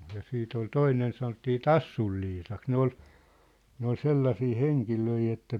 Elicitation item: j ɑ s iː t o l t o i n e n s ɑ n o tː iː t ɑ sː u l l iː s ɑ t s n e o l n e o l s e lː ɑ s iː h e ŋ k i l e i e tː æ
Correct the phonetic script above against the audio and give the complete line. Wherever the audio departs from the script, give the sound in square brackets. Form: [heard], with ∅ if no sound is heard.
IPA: j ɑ s iː t o l t o i n e n s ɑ n o tː iː t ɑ sː u l l iː s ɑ [k] s n e o l n e o l s e lː ɑ s iː h e ŋ k i l [ø] i e tː æ